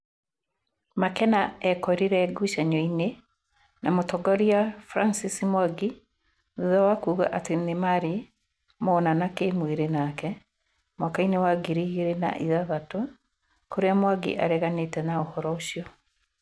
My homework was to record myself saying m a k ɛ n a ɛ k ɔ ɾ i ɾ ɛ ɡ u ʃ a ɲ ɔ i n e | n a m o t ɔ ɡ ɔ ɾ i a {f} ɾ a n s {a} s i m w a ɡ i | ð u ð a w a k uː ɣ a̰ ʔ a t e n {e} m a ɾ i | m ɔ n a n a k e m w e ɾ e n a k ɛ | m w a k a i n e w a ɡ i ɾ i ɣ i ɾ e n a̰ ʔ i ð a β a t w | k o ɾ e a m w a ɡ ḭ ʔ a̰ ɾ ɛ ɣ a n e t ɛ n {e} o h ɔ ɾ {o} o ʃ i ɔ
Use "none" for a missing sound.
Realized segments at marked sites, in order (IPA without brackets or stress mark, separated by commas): f, i, e, a, ɔ